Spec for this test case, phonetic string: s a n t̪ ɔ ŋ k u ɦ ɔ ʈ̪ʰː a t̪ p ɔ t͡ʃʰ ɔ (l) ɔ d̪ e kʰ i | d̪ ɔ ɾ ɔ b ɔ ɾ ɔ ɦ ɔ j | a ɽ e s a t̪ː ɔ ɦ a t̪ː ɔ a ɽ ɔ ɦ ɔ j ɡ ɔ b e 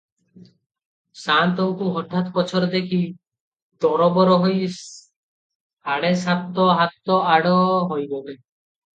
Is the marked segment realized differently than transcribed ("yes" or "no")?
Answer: yes